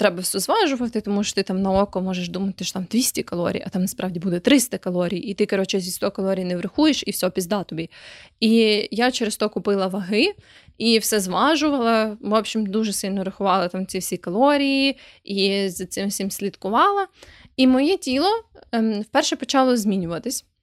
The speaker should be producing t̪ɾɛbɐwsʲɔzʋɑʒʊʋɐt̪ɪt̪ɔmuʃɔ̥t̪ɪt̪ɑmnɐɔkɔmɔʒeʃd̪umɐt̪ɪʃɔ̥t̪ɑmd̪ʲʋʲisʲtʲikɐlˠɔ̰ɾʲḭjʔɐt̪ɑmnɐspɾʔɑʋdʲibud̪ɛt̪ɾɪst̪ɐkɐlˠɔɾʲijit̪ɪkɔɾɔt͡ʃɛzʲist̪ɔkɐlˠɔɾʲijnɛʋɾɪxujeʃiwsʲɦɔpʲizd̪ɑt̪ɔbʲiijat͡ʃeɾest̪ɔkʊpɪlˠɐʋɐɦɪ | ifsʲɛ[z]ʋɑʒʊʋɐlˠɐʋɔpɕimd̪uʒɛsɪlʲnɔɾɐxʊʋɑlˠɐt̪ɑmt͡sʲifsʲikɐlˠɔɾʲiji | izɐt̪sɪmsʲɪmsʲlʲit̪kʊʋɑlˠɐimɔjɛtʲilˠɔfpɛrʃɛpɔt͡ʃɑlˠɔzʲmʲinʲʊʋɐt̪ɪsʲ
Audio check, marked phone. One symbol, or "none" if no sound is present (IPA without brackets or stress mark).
z